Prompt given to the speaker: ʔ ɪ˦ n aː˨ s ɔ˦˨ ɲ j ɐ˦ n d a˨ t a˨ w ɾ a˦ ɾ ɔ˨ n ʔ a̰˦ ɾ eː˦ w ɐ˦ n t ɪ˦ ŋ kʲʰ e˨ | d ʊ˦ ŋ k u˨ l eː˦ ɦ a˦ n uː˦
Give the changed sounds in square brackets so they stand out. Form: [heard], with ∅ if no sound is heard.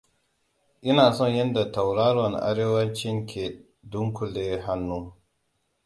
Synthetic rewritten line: ʔ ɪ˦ n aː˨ s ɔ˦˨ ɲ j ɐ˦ n d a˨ t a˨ w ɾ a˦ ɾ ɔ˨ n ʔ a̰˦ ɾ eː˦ w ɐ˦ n [t͡ʃ] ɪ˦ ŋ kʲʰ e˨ | d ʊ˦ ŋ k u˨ l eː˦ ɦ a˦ [nː] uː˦